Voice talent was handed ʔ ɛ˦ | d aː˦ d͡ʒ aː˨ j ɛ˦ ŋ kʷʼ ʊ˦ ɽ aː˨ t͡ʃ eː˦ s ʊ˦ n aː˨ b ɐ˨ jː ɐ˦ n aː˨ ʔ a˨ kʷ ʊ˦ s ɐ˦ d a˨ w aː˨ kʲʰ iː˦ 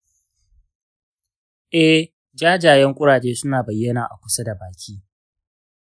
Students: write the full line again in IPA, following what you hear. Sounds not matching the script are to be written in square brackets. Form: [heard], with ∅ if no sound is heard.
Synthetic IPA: ʔ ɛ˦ | [d͡ʒ] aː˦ d͡ʒ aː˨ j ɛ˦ ŋ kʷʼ ʊ˦ ɽ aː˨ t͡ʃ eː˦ s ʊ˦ n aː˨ b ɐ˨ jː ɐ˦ n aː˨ ʔ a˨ kʷ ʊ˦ s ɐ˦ d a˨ [b] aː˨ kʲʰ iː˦